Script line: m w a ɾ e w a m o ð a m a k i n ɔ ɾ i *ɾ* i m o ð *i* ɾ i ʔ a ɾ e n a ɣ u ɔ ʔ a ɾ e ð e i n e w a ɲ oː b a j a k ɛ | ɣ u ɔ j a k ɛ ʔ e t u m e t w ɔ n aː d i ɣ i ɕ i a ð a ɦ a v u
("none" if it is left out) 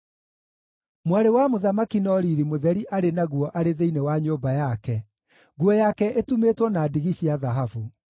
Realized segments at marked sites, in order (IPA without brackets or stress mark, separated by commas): ɾ, ɛ